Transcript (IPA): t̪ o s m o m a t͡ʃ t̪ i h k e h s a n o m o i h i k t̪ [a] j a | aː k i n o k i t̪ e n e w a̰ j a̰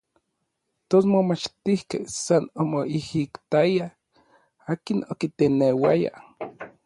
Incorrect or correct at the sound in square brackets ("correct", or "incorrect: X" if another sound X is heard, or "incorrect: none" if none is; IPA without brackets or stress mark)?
correct